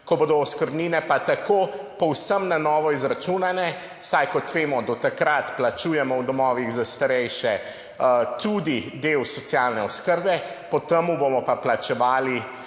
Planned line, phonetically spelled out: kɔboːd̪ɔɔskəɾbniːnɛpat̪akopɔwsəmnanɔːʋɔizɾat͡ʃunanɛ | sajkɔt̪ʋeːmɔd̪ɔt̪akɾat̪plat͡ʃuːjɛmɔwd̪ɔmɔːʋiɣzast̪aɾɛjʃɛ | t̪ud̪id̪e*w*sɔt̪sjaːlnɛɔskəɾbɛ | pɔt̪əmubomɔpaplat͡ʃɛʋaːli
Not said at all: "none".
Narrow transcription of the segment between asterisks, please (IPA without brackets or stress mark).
w